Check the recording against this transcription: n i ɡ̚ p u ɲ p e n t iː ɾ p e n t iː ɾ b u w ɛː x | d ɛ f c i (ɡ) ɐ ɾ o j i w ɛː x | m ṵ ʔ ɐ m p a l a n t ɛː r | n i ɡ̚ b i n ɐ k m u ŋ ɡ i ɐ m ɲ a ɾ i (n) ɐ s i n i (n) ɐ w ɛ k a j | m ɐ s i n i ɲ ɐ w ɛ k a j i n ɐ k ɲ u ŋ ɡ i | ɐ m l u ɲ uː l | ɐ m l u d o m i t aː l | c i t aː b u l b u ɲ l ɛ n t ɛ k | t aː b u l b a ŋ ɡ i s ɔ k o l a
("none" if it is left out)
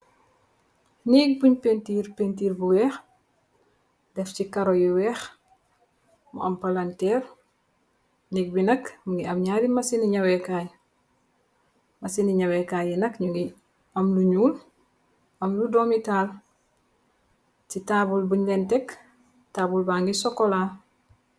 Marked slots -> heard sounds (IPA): k, m, ɲ

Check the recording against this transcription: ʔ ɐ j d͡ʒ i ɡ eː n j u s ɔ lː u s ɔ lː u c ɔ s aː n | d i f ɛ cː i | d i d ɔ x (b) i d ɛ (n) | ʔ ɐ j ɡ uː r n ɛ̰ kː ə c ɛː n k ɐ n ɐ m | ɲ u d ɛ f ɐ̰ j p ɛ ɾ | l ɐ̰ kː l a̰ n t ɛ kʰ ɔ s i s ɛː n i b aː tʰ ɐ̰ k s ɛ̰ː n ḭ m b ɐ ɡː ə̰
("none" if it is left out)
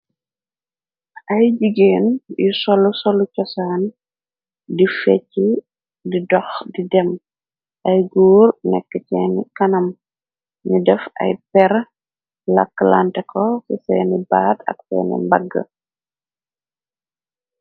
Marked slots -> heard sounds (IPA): d, m

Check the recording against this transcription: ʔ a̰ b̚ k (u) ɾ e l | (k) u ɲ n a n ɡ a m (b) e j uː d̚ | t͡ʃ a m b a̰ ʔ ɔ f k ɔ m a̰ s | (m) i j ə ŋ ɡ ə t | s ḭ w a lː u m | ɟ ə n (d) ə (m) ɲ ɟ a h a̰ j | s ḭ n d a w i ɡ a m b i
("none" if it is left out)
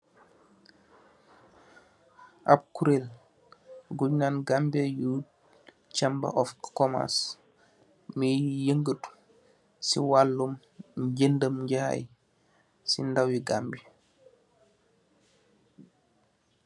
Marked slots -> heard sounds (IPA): u, ɡ, b, m, d, m

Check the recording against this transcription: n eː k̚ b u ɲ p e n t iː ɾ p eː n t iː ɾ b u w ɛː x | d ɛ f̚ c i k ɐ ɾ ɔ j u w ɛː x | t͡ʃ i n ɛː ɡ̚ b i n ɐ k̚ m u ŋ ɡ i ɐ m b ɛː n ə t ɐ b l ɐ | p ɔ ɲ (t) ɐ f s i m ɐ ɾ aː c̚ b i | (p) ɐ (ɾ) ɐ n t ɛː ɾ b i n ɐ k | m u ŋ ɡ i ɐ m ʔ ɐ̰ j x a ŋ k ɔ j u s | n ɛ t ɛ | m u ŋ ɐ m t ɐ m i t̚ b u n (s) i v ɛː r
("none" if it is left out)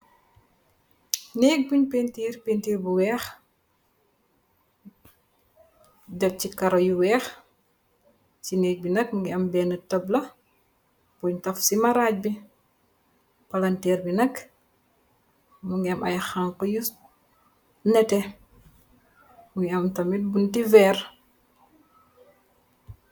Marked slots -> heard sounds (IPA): t, p, l, t

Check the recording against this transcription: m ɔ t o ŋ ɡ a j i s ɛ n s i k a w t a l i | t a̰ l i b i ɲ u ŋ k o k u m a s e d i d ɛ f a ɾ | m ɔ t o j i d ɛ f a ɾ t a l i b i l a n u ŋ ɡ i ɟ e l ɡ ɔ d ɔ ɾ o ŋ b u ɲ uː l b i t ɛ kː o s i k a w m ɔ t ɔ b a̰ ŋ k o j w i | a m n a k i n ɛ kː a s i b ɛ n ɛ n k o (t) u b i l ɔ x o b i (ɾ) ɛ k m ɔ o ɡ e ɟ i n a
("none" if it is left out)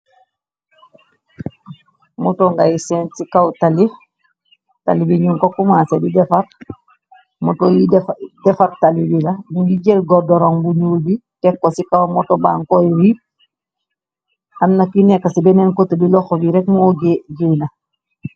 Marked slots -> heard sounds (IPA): t, ɾ

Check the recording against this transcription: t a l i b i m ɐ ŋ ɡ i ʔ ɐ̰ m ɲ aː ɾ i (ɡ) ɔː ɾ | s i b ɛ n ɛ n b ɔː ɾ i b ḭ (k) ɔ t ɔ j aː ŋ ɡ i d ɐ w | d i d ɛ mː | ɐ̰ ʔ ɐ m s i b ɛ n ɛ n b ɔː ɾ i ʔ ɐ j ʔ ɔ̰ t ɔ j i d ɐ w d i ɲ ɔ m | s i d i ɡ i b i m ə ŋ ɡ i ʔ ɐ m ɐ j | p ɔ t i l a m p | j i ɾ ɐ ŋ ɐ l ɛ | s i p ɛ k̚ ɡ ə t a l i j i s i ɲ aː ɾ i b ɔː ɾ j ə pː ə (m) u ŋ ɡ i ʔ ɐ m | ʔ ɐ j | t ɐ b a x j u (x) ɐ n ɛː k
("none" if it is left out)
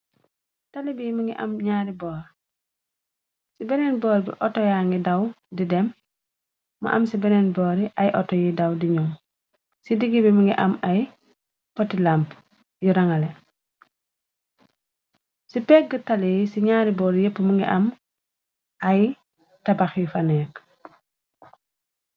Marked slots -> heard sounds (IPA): b, ʔ, m, f

